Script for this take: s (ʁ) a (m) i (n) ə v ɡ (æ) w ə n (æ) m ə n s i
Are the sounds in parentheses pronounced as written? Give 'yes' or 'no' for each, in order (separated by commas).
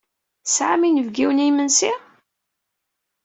no, yes, yes, no, no